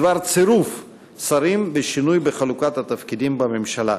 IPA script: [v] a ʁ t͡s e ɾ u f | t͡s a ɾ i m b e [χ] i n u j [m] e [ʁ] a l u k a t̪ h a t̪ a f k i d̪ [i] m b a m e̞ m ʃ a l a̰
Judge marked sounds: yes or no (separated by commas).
yes, no, no, no, yes